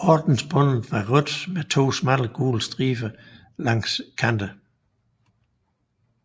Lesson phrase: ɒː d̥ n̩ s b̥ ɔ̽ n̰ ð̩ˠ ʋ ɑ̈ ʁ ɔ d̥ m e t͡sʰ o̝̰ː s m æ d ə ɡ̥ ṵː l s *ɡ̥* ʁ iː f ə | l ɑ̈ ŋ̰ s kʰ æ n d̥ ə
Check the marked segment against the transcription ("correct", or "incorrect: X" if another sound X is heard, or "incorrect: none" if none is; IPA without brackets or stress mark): incorrect: d̥